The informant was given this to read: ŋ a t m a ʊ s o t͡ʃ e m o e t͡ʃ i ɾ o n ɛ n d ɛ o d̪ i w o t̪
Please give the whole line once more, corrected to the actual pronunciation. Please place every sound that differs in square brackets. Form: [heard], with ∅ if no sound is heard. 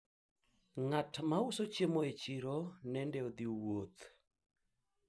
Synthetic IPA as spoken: ŋ a t m a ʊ s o t͡ʃ e m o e t͡ʃ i ɾ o n ɛ n d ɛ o d̪ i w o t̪